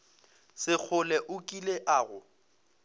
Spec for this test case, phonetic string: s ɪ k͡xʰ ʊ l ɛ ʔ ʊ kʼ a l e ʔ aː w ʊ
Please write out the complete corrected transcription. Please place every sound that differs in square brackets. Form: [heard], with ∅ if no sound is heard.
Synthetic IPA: s ɪ k͡xʰ ʊ l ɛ ʔ ʊ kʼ [i] l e ʔ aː [ɣ] ʊ